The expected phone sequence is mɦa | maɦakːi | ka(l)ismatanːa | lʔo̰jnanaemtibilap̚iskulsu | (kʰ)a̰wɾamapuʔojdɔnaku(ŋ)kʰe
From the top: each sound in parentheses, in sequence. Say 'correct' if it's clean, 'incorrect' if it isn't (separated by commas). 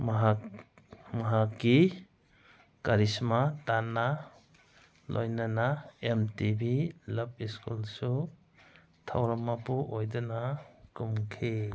incorrect, incorrect, incorrect